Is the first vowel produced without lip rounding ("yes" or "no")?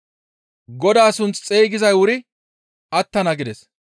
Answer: no